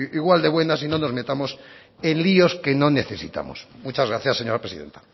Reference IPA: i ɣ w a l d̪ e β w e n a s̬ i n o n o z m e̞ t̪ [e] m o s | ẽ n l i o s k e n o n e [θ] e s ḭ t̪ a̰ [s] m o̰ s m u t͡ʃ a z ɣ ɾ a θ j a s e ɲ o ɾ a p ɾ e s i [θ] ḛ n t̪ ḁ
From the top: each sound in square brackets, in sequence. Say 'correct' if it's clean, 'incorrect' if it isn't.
incorrect, correct, incorrect, incorrect

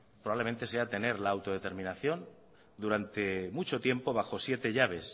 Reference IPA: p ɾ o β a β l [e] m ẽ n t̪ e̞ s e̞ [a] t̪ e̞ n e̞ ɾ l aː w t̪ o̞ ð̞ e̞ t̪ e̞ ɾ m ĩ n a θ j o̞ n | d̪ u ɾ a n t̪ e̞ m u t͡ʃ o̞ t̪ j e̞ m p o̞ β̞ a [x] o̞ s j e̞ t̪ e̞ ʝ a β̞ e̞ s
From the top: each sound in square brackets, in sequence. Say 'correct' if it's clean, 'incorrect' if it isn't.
correct, correct, correct

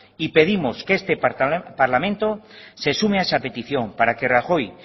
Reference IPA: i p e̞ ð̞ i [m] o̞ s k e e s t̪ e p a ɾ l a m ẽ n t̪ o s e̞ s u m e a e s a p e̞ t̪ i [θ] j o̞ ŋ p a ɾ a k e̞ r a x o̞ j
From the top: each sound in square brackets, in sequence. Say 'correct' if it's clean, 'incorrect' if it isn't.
correct, correct

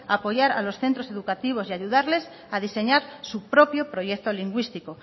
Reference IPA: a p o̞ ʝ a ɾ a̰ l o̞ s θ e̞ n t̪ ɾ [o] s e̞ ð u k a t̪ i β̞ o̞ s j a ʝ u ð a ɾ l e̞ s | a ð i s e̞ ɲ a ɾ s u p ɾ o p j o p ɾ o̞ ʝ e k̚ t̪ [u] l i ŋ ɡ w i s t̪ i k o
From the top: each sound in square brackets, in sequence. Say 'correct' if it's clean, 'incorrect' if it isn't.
correct, incorrect

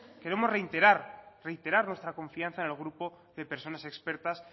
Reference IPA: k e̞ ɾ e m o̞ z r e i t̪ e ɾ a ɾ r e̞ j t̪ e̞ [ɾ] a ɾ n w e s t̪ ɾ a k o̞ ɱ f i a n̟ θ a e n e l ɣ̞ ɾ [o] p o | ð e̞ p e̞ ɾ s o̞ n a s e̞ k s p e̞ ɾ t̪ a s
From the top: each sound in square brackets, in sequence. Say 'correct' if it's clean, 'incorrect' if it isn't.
correct, incorrect

